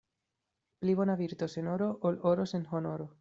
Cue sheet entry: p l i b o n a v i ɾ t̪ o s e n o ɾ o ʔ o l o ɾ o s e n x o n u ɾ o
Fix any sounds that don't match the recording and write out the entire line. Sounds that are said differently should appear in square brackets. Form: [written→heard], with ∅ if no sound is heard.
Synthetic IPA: p l i [b→β] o n a [v→β] i ɾ t̪ o s e n o ɾ o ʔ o l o ɾ o s e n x o n [u→o] ɾ o